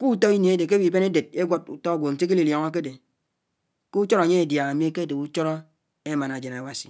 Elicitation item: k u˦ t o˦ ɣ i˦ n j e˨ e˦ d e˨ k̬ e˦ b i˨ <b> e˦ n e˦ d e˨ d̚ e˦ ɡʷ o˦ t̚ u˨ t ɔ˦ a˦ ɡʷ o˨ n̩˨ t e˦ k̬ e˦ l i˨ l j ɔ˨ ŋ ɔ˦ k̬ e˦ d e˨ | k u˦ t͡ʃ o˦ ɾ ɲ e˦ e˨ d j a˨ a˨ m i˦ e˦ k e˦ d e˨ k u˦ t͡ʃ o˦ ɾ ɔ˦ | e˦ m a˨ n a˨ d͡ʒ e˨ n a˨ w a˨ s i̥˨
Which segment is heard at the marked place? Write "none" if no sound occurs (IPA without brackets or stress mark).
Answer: b